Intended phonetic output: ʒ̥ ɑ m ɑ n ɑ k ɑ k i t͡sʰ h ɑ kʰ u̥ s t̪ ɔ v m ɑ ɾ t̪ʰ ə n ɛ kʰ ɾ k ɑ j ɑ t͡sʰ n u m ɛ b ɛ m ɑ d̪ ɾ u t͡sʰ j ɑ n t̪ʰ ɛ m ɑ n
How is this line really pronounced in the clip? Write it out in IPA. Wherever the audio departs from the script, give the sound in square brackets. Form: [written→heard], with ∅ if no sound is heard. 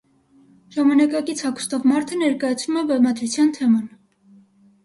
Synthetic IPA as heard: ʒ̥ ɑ m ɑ n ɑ k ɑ k i t͡sʰ h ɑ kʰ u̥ s t̪ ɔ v m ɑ ɾ t̪ʰ ə n ɛ [kʰ→∅] ɾ k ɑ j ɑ t͡sʰ n u m ɛ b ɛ m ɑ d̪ ɾ u t͡sʰ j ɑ n t̪ʰ ɛ m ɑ n